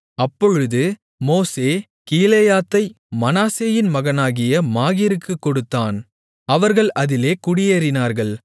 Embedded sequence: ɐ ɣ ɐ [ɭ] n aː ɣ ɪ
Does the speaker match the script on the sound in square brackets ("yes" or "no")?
no